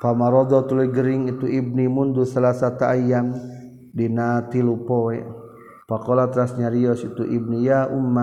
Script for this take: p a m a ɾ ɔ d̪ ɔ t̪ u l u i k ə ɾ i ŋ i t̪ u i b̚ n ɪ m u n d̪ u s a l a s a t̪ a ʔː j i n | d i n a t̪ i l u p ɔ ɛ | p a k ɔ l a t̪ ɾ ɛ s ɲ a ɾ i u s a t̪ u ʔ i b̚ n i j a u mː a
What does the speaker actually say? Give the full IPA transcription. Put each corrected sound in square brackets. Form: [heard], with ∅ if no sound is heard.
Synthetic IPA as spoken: p a m a ɾ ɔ d̪ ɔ t̪ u l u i [ɡ] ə ɾ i ŋ i t̪ u i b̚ n [i] m u n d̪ u s a l a s a t̪ a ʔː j [a] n | d i n a t̪ i l u p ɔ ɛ | p a k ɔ l a t̪ ɾ [a] s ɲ a ɾ i [ɔ] s [i] t̪ u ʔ i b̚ n i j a u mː a